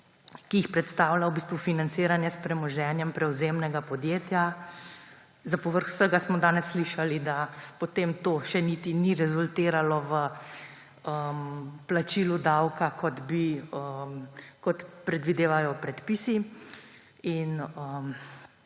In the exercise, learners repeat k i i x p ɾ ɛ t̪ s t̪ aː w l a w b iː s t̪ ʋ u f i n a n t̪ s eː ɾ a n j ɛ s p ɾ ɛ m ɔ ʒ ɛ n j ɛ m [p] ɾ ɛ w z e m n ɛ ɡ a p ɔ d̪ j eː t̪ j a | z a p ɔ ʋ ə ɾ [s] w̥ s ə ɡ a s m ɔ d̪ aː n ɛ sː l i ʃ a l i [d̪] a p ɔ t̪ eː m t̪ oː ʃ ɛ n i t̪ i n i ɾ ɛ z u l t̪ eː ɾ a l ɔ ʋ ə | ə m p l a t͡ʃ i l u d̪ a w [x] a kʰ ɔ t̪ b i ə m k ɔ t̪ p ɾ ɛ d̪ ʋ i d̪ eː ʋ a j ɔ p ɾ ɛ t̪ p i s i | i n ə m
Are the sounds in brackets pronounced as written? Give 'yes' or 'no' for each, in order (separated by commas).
yes, no, yes, no